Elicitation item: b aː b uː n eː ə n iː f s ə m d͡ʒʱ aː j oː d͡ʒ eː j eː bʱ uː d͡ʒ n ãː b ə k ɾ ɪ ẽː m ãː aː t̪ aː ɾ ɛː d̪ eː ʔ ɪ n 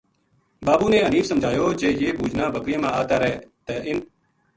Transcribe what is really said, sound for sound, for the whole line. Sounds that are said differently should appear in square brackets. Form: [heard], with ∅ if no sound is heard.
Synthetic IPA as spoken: b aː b uː n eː ə n iː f s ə m d͡ʒʱ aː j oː d͡ʒ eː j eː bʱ uː d͡ʒ n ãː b ə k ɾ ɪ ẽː m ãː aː t̪ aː ɾ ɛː [t̪] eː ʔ ɪ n